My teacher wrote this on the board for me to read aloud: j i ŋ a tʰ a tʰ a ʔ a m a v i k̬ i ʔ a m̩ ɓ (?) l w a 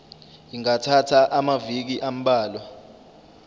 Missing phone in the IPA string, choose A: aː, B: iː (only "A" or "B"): A